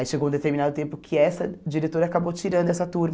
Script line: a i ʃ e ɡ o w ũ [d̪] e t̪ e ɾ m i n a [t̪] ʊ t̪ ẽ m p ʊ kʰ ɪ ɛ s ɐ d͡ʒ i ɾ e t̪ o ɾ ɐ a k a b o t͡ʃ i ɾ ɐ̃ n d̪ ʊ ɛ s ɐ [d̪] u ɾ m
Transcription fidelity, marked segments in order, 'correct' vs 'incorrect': correct, incorrect, incorrect

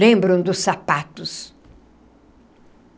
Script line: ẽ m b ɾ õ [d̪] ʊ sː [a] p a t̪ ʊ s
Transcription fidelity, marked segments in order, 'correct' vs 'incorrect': correct, correct

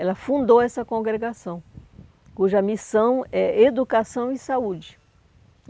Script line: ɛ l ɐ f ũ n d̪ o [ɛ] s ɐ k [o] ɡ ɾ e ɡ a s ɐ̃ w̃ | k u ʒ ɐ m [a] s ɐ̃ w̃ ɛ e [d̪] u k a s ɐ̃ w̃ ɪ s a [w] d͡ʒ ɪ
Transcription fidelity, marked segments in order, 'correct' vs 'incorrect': correct, incorrect, incorrect, correct, incorrect

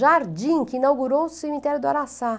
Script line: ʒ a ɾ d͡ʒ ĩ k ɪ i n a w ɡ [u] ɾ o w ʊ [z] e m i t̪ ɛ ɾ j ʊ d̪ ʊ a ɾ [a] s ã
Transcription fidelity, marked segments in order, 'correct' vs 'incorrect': correct, incorrect, correct

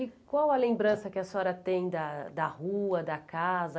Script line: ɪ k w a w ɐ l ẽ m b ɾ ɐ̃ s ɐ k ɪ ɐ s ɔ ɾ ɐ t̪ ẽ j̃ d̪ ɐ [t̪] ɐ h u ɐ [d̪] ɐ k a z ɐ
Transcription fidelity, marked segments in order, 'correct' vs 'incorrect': incorrect, correct

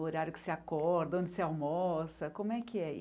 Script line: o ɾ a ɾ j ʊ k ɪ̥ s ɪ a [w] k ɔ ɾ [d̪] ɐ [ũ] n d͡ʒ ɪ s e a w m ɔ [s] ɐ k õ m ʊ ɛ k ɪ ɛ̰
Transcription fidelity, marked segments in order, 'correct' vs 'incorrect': incorrect, correct, incorrect, correct

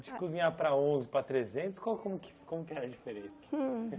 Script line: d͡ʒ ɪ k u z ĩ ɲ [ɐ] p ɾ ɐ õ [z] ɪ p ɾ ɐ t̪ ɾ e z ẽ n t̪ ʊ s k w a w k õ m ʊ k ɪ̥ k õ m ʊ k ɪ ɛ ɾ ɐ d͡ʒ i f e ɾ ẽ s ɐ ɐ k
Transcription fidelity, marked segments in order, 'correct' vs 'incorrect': incorrect, correct

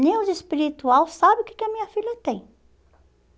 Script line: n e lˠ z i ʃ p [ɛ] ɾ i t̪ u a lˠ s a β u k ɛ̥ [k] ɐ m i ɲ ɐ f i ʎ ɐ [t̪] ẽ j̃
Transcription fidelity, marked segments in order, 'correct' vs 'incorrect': incorrect, correct, correct

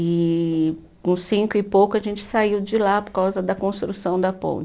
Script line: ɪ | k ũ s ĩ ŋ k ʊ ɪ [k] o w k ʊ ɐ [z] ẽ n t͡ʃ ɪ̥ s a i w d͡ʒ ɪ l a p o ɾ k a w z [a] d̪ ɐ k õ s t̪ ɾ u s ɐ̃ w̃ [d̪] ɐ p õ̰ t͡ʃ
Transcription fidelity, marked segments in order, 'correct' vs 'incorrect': incorrect, incorrect, incorrect, correct

